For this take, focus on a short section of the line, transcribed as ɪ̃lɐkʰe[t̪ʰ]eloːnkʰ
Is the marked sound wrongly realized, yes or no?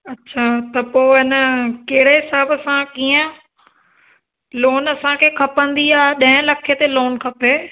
yes